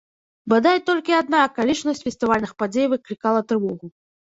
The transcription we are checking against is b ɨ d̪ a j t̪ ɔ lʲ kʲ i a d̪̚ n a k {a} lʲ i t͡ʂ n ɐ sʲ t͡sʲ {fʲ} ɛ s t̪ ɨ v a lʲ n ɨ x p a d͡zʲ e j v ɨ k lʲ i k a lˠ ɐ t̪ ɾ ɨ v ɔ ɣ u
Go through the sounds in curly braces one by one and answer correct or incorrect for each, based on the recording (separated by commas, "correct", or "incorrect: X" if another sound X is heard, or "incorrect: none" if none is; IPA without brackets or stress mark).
correct, correct